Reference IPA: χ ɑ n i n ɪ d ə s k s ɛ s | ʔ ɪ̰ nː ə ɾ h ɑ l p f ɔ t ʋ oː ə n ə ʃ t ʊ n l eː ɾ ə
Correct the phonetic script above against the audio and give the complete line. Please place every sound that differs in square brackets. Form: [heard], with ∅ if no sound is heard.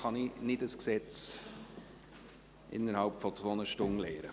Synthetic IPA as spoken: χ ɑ n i n ɪ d ə s k s ɛ [t͡s] | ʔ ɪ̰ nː ə ɾ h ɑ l p f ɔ [t͡s] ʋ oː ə n ə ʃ t ʊ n l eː ɾ ə